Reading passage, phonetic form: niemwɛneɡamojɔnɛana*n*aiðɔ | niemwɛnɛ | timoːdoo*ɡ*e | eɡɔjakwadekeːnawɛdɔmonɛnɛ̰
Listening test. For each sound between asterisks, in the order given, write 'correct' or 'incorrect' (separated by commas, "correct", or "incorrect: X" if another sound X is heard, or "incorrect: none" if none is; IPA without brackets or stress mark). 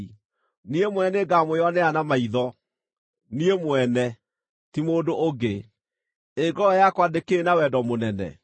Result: incorrect: m, correct